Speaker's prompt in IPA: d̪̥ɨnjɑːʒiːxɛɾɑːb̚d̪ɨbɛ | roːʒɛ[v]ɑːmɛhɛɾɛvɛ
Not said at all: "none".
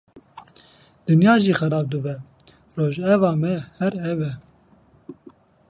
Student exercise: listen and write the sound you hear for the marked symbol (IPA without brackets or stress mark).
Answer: v